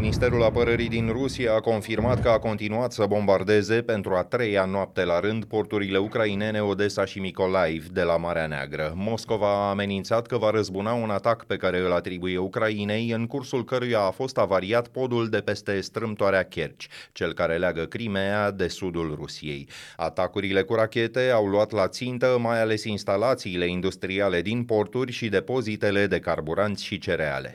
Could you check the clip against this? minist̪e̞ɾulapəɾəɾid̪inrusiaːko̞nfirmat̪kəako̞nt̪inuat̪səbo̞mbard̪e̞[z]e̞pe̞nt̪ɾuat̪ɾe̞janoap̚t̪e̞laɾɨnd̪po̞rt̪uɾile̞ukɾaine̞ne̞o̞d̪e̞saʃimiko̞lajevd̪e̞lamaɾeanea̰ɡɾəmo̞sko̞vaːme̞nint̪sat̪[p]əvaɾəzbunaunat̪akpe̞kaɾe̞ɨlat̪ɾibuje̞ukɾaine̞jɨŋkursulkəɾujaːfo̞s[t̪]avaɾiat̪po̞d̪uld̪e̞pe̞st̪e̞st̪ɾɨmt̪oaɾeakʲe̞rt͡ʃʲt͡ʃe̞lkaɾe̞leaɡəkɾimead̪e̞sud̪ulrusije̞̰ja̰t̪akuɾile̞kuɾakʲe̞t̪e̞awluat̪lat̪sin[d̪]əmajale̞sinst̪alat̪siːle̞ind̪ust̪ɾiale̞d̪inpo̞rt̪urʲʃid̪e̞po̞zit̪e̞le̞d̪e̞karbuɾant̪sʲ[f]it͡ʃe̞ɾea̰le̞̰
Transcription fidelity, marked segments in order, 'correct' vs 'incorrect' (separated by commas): correct, incorrect, correct, incorrect, incorrect